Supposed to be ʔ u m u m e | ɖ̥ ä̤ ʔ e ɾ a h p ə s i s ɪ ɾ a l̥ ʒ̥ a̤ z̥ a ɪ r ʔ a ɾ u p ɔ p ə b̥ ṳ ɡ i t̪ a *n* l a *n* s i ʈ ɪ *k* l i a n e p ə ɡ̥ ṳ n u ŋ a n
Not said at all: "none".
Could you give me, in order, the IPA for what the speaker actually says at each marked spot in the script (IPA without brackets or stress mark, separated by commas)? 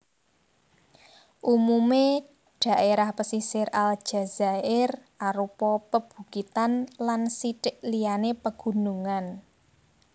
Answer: n, n, ʔ